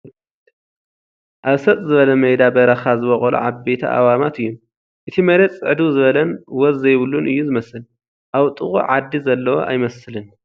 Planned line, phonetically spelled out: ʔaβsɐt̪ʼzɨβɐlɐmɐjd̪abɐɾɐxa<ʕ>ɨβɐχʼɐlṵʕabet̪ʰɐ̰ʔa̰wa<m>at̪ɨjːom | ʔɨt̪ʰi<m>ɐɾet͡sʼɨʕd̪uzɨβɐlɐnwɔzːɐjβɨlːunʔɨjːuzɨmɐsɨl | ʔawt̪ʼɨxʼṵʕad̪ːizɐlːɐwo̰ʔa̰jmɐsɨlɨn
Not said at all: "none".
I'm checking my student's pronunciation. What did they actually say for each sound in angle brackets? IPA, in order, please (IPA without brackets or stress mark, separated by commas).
z, m, m